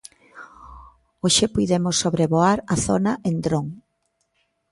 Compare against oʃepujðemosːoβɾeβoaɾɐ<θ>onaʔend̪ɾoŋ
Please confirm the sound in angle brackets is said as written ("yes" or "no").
yes